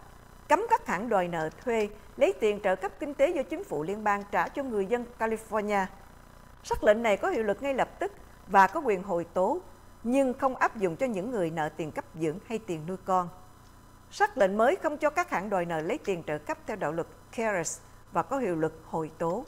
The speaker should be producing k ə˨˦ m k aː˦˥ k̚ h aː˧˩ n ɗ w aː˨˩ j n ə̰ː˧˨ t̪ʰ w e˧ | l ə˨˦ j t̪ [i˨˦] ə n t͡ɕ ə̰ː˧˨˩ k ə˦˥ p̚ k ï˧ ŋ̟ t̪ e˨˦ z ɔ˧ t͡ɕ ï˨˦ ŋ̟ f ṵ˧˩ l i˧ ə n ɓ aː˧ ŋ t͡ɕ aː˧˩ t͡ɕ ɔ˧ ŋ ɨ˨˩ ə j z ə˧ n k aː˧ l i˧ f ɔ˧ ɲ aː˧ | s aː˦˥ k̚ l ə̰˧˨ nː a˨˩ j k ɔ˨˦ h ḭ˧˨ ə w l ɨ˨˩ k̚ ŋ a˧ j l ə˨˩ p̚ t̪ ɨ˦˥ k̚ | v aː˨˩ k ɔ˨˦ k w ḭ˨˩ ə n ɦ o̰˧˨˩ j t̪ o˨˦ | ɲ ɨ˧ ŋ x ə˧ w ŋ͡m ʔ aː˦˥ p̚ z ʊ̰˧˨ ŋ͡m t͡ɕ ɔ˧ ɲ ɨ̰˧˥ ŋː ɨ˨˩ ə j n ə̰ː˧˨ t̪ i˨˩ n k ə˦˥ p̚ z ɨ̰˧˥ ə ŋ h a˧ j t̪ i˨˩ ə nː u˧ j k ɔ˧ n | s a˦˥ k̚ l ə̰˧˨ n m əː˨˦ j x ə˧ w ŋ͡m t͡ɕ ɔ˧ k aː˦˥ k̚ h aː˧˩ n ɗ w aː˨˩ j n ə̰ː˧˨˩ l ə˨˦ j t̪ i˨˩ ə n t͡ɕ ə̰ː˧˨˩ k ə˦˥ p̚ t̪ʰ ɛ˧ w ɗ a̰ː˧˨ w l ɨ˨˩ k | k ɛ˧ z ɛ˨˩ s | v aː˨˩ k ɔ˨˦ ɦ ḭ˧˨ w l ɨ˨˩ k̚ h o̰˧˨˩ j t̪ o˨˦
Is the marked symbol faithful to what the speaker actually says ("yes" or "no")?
no